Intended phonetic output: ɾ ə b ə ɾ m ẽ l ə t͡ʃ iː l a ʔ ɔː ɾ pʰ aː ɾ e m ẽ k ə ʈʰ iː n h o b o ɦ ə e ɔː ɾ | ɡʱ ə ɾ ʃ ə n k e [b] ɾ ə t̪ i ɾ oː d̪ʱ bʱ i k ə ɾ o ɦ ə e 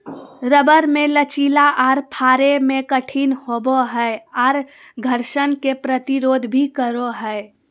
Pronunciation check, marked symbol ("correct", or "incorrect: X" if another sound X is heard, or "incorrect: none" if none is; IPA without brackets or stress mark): incorrect: p